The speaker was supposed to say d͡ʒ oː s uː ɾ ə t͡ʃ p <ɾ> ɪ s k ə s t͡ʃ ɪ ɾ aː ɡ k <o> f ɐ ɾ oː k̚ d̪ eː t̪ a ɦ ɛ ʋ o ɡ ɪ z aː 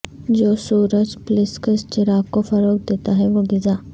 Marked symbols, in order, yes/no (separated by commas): no, yes